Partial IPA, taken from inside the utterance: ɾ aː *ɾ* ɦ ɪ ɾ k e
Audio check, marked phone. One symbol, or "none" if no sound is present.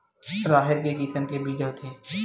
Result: none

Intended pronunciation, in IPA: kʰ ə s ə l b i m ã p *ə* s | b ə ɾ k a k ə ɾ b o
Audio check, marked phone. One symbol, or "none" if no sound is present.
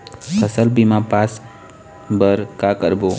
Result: a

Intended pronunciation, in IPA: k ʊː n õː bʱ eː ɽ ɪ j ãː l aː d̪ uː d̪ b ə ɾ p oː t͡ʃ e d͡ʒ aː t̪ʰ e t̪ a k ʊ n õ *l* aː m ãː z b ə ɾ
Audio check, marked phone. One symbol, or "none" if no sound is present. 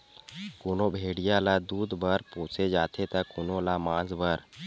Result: l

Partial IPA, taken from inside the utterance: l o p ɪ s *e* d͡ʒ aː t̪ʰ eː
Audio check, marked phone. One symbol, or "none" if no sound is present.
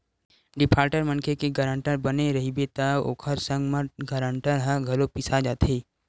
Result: a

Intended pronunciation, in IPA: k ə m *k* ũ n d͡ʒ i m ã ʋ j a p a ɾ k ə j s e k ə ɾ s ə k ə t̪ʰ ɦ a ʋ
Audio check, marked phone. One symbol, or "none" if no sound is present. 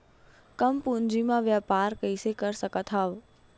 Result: p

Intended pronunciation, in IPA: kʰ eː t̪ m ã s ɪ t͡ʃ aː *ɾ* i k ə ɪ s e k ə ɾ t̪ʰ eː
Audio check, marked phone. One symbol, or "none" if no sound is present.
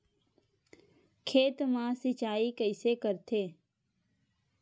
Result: none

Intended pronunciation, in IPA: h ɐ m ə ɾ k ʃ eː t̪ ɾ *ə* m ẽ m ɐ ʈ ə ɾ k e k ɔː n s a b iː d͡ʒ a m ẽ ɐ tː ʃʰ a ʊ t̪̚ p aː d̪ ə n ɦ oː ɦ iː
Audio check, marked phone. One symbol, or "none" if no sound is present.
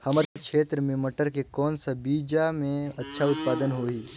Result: ə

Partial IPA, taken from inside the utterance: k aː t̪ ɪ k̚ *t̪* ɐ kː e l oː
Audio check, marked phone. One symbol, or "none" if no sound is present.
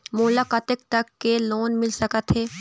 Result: t̪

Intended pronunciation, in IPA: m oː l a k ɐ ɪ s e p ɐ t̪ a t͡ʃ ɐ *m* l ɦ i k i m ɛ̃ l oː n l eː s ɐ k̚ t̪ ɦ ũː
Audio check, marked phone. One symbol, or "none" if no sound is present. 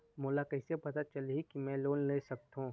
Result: none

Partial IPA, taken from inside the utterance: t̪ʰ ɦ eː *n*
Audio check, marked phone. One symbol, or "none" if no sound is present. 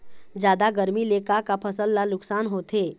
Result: none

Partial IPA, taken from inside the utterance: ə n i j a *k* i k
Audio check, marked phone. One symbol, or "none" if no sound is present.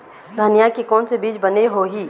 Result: k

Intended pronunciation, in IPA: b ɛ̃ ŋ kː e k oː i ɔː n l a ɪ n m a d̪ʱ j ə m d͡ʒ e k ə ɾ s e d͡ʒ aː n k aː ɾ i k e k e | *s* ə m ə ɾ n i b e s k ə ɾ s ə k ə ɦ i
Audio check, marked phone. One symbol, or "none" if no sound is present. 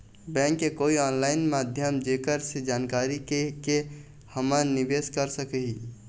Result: h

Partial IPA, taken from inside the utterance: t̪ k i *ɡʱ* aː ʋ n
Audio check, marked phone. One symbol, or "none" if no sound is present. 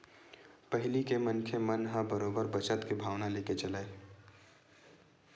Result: bʱ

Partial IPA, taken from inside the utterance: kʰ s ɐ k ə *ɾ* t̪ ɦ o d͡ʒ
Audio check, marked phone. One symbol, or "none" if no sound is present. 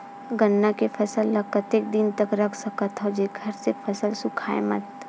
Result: none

